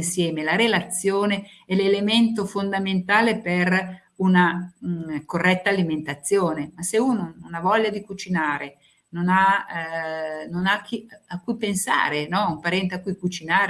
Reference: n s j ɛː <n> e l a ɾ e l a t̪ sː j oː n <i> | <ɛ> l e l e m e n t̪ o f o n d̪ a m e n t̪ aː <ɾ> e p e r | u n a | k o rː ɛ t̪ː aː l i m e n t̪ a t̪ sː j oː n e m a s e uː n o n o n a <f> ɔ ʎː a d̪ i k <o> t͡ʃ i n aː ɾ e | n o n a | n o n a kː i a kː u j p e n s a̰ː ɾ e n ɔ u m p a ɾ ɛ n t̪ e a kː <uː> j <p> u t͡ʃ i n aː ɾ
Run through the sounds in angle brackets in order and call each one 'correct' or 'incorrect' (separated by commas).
incorrect, incorrect, correct, incorrect, incorrect, incorrect, incorrect, incorrect